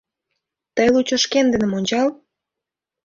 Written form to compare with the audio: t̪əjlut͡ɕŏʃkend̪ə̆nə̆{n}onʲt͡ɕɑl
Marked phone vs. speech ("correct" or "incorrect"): incorrect